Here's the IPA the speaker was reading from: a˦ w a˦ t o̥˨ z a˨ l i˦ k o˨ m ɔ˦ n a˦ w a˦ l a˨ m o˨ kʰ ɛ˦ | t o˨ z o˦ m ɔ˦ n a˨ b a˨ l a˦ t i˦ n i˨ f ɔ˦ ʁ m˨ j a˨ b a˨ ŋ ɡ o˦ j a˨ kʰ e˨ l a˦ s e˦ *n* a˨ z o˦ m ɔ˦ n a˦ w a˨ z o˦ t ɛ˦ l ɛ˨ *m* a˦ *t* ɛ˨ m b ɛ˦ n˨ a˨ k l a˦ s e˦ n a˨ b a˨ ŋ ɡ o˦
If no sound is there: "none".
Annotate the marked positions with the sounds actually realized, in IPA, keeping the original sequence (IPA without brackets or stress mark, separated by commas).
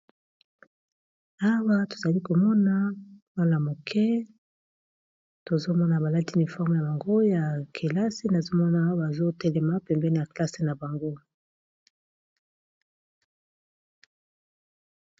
n, m, p